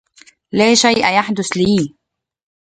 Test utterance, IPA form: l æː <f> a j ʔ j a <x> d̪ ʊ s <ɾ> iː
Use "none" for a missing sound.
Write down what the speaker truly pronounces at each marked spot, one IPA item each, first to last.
ʃ, ħ, l

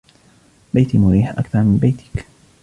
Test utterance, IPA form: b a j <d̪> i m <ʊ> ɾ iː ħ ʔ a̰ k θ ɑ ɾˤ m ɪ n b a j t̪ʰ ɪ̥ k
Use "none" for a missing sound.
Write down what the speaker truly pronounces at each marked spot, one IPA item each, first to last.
t̪, ʊ

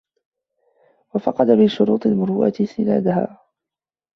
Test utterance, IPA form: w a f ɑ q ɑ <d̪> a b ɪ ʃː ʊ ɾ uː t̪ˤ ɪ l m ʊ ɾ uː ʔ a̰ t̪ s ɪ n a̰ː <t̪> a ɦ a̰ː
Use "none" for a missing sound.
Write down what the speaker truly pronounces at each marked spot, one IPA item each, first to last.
d̪, d̪

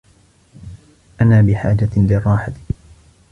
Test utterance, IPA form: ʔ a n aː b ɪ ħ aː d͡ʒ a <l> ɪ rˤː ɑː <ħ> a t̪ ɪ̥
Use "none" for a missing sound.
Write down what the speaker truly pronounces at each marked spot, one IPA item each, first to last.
l, ħ

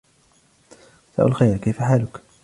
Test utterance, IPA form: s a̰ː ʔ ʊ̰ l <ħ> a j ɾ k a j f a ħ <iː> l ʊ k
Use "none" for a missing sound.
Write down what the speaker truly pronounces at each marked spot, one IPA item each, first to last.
x, aː

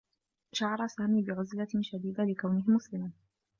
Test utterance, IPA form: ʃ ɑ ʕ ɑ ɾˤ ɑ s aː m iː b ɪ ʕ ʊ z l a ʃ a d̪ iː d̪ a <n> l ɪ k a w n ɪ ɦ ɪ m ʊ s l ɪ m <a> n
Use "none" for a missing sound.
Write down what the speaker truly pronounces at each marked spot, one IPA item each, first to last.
none, a

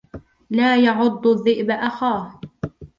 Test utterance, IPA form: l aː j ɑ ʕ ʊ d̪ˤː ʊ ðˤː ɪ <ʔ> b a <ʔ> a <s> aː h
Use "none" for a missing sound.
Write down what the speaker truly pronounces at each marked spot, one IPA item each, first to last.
ʔ, ʔ, x

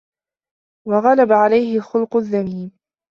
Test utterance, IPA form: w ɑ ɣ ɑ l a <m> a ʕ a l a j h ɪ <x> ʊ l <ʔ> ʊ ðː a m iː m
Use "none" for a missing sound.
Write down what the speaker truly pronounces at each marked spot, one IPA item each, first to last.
b, x, q

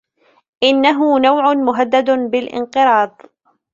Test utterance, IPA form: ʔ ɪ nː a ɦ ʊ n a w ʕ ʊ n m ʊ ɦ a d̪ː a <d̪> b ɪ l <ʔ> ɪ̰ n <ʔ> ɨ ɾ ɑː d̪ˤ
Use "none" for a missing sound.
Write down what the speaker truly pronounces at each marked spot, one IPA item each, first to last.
d̪, ʔ, q

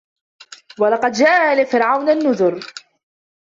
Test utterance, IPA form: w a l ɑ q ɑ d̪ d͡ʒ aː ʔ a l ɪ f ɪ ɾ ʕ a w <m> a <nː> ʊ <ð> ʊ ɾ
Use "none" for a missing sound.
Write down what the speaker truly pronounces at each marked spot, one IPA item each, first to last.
n, nː, ð

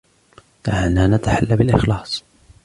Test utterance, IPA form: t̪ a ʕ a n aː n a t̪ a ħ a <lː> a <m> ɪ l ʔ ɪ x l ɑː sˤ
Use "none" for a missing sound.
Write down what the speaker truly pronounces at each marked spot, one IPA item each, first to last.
lː, b

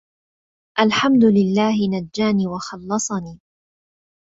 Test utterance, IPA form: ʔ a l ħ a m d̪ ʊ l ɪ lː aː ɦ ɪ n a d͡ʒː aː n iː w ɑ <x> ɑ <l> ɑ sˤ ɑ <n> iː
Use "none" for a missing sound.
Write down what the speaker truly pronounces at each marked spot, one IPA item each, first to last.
x, lː, n

